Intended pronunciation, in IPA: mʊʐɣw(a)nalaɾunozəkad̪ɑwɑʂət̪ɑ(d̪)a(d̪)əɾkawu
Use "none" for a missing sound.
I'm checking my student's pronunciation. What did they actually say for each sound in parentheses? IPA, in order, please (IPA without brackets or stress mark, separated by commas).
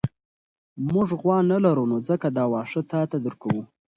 ɑ, t̪, d̪